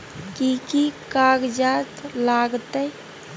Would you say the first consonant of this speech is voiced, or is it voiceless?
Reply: voiceless